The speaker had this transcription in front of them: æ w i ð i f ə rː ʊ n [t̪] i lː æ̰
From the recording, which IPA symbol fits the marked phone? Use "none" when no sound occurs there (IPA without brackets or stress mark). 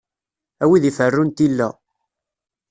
t̪